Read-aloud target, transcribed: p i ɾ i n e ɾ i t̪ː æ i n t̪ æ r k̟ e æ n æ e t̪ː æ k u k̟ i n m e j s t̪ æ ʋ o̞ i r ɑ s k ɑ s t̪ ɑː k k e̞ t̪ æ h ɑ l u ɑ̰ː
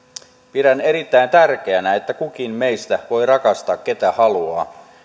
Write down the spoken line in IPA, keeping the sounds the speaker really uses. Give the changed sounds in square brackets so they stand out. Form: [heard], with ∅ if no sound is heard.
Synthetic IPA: p i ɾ [æ] n e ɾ i t̪ː æ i n t̪ æ r k̟ e æ n æ e t̪ː æ k u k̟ i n m e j s t̪ æ ʋ o̞ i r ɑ [∅] k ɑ s t̪ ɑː k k e̞ t̪ æ h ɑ l u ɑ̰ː